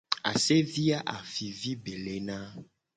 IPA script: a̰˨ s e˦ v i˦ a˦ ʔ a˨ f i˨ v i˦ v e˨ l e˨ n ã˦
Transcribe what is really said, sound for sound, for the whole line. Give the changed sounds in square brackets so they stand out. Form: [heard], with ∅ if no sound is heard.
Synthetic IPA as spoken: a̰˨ s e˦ v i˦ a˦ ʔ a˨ f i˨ v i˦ [b] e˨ l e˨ n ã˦